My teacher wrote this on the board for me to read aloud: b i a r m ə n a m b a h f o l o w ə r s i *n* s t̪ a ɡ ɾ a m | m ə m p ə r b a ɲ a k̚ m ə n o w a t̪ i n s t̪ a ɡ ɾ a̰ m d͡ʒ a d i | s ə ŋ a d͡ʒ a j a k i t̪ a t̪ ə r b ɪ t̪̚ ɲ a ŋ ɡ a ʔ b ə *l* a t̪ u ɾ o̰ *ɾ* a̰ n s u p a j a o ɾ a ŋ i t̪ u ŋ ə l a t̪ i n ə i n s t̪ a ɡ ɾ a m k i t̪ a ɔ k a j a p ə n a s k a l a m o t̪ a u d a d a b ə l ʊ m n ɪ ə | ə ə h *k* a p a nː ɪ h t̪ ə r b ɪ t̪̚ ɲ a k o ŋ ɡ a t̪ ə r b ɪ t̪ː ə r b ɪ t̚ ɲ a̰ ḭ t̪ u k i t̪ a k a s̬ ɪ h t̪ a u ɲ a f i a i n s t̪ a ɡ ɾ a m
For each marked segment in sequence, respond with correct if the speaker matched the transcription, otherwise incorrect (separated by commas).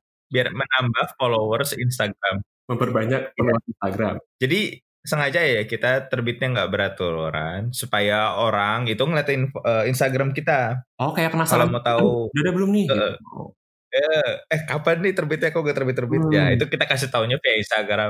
correct, incorrect, correct, correct